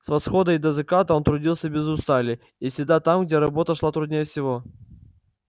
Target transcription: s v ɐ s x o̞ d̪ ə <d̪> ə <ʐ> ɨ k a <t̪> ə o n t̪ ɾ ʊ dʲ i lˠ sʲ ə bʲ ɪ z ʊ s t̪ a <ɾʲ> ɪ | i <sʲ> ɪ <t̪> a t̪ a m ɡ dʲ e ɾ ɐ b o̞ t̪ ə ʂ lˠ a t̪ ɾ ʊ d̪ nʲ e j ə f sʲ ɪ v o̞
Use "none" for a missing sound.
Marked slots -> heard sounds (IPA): d̪, z, t̪, lʲ, sʲ, d̪

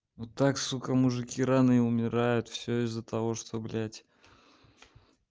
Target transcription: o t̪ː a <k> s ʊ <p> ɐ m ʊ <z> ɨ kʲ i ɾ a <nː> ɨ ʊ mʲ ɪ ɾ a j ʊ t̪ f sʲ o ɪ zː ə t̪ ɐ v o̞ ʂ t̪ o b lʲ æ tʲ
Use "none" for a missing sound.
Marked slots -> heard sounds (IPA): k, k, ʐ, n

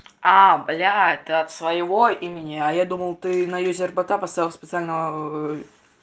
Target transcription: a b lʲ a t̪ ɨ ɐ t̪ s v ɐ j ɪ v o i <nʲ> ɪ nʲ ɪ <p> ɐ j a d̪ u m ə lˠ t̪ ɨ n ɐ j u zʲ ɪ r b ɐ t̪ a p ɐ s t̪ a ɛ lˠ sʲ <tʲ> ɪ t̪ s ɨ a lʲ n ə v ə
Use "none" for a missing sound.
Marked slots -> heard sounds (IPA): mʲ, none, pʲ

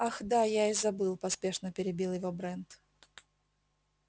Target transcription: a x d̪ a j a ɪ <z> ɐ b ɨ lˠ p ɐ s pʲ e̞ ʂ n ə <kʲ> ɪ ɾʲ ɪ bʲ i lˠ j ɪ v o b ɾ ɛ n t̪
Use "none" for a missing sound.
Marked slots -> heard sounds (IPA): z, pʲ

